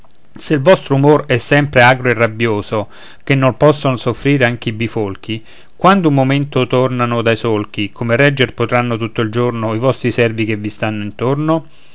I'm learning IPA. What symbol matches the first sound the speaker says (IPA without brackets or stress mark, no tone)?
s